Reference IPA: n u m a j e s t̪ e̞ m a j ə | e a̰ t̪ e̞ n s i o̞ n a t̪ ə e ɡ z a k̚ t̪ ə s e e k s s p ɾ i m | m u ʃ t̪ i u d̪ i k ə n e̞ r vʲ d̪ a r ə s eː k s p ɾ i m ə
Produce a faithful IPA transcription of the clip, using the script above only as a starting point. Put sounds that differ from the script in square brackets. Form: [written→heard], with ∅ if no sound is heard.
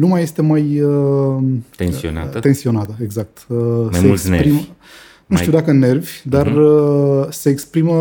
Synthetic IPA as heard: n u m a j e s t̪ e̞ m a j ə | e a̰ t̪ e̞ n s i o̞ n a t̪ ə e ɡ z a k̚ t̪ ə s e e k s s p ɾ i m | [m→n] u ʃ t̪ i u d̪ [i→a] k ə n e̞ r vʲ d̪ a r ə s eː k s p ɾ i m ə